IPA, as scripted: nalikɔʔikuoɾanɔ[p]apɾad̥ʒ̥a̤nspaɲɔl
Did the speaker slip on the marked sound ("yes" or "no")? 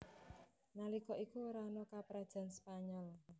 yes